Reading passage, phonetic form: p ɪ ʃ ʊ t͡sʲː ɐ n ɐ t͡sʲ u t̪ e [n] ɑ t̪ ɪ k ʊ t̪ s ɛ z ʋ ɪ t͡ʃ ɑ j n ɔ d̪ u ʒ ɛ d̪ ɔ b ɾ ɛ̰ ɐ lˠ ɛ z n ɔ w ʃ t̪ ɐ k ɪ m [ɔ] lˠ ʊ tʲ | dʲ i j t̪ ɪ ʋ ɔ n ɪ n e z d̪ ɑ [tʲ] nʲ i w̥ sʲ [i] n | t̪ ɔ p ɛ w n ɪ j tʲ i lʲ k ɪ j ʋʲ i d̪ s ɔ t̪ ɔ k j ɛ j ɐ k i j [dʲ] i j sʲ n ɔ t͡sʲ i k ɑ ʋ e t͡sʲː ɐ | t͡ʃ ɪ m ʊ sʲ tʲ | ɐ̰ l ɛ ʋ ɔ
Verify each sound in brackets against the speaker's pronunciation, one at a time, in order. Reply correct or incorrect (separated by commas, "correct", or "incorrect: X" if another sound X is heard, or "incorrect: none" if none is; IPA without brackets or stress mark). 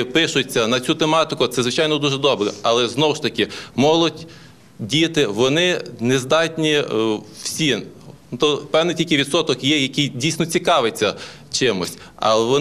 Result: incorrect: m, correct, correct, correct, correct